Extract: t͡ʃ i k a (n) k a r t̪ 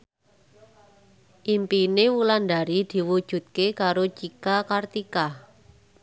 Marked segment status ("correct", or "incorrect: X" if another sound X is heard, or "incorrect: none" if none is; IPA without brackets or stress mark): incorrect: none